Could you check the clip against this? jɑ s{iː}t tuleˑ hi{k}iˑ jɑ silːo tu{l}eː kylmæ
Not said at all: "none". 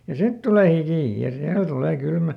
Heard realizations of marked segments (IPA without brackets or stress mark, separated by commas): i, k, l